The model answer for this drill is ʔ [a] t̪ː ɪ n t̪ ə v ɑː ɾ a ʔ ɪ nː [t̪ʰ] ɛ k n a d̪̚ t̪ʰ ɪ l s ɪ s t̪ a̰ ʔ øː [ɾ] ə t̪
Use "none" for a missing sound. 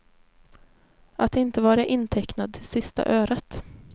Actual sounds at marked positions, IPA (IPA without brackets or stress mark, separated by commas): a, t̪ʰ, ɾ